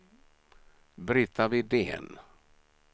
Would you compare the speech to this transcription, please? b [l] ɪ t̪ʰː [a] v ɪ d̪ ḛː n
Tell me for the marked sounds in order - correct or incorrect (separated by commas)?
incorrect, correct